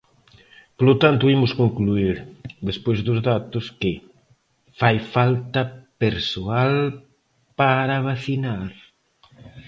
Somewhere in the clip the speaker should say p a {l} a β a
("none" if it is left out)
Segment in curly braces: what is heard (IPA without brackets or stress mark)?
ɾ